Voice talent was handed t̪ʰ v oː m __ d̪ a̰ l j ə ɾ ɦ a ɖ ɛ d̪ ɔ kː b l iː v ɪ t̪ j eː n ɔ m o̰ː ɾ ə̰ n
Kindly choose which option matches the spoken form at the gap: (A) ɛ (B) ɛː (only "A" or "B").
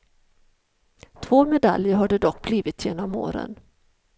A